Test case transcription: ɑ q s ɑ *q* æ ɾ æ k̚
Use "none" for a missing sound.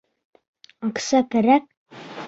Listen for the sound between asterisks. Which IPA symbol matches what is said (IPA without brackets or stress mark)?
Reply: k